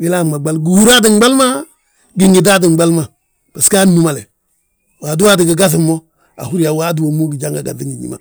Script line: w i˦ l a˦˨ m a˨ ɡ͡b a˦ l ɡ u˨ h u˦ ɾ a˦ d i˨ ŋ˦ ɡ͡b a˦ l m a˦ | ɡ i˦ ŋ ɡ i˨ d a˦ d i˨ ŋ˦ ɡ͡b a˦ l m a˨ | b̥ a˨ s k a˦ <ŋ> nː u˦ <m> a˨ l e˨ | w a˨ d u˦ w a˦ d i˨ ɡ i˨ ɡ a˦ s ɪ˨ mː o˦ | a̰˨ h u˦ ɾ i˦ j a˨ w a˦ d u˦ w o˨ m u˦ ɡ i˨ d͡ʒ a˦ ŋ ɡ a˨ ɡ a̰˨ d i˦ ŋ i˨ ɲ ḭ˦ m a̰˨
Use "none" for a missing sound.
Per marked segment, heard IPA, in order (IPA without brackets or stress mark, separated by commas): none, m